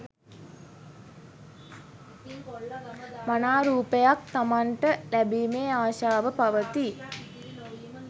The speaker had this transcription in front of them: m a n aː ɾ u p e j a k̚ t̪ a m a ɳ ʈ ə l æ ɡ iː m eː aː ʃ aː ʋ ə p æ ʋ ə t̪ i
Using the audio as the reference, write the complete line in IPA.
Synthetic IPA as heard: m a n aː ɾ uː p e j a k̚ t̪ a m a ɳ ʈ ə l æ b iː m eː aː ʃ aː ʋ ə p a ʋ ə t̪ i